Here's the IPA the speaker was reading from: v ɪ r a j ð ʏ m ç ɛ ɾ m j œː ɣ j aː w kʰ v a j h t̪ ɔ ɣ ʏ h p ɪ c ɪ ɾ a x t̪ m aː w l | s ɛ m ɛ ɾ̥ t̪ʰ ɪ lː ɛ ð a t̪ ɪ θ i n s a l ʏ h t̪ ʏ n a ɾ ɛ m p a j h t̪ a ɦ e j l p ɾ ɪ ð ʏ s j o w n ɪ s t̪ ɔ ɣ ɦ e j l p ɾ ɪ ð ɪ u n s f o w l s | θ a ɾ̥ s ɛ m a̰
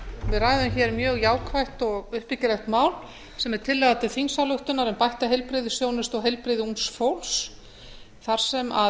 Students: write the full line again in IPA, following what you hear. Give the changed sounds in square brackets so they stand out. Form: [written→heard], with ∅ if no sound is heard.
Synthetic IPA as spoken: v ɪ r a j ð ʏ m ç ɛ ɾ m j œː ɣ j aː w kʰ v a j h t̪ ɔ ɣ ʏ h p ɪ c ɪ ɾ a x t̪ m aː w l | s ɛ m ɛ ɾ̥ t̪ʰ ɪ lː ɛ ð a t̪ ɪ θ i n s a l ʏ h t̪ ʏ n a ɾ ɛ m p a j h t̪ a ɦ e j l p ɾ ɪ ð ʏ s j o w n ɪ s t̪ ɔ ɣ ɦ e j l p ɾ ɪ ð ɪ u n s f o w l s | θ a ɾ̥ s ɛ m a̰